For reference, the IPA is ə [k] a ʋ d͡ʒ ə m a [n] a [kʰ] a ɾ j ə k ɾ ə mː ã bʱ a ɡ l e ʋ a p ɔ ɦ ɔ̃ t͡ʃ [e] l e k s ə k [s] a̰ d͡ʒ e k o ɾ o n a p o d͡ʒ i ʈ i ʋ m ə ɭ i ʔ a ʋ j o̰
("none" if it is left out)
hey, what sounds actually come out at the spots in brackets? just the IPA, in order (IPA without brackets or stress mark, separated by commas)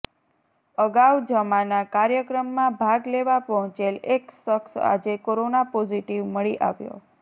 ɡ, n, k, e, s